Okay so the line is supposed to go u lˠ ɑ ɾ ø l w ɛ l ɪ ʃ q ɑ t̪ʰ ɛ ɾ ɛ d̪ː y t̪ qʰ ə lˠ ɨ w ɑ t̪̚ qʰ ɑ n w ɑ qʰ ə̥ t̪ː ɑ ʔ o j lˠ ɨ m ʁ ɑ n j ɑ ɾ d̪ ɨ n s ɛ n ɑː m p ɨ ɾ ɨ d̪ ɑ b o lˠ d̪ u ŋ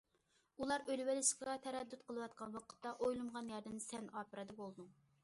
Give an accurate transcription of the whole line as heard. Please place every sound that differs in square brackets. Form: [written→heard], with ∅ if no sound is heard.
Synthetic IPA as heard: u lˠ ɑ ɾ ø l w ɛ l ɪ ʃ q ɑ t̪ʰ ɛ ɾ ɛ d̪ː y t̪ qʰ ə lˠ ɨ w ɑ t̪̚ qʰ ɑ n w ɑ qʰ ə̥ t̪ː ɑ ʔ o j lˠ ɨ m ʁ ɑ n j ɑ ɾ d̪ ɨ n s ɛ n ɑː [m→∅] p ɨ ɾ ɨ d̪ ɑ b o lˠ d̪ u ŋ